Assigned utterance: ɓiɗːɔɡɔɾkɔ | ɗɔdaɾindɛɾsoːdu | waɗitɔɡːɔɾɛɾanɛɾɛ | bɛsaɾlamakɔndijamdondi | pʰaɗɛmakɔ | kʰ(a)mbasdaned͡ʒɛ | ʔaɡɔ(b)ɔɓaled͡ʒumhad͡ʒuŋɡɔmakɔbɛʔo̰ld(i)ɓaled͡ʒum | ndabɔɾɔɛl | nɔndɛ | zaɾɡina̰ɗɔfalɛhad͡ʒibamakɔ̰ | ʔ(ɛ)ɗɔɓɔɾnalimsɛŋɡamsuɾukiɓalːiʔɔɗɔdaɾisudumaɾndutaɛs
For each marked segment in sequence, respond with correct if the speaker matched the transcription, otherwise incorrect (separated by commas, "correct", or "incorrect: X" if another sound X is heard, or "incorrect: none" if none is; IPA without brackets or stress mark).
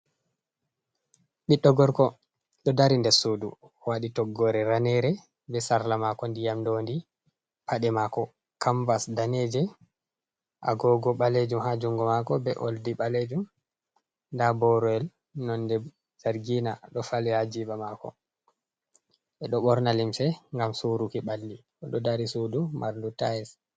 correct, incorrect: ɡ, correct, correct